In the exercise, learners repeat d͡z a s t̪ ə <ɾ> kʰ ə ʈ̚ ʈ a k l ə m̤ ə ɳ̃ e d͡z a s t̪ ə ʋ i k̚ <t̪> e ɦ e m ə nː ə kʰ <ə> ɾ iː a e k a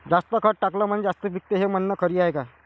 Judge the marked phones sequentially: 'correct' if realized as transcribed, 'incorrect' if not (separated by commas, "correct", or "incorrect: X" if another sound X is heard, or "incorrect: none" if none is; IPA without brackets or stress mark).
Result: incorrect: none, correct, correct